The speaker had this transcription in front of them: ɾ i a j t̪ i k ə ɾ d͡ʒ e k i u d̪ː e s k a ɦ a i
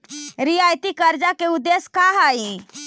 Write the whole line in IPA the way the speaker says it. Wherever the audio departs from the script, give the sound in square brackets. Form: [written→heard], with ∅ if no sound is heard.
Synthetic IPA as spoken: ɾ i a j t̪ i k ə ɾ d͡ʒ [e→a] k [i→e] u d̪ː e s k a ɦ a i